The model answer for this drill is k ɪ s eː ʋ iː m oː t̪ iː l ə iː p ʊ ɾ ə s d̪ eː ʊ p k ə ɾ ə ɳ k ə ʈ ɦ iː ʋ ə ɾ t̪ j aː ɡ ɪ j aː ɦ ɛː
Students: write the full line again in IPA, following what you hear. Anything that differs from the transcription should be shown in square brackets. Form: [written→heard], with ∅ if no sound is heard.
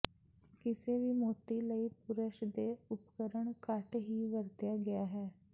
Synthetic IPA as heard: k ɪ s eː ʋ iː m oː t̪ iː l ə iː p ʊ ɾ ə [s→ʃ] d̪ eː ʊ p k ə ɾ ə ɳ k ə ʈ ɦ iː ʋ ə ɾ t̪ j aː ɡ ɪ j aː ɦ ɛː